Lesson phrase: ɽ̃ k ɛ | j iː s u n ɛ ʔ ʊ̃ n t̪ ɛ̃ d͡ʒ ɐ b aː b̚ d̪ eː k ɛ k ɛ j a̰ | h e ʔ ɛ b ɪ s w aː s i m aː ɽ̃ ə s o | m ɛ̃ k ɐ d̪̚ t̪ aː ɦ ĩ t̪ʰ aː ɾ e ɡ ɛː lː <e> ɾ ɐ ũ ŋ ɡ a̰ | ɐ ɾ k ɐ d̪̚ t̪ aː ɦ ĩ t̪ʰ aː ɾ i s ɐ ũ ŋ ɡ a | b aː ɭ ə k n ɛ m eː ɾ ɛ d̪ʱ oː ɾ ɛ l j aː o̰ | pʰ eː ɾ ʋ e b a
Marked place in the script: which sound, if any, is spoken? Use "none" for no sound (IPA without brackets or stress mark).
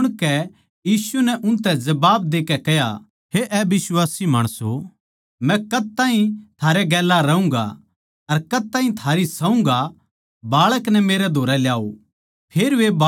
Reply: a